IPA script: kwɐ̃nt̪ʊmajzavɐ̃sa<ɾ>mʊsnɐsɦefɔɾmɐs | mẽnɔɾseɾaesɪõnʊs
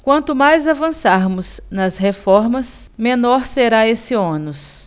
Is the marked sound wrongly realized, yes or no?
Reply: no